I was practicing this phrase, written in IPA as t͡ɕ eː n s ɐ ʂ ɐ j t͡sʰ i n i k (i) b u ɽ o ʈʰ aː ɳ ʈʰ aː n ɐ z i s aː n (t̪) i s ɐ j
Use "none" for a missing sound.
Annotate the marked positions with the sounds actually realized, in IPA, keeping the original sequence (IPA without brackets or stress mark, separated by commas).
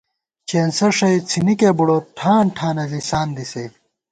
e, d̪